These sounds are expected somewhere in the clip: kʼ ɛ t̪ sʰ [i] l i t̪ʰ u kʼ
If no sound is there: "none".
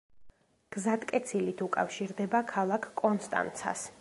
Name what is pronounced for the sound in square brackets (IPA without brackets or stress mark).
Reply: i